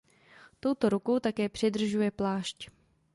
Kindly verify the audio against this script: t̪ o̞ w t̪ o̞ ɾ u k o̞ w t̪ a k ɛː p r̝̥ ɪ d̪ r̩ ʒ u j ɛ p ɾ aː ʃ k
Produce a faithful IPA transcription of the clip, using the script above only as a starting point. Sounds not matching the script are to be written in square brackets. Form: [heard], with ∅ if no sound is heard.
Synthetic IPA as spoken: t̪ o̞ w t̪ o̞ ɾ u k o̞ w t̪ a k ɛː p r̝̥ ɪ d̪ r̩ ʒ u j ɛ p [l] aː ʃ [c]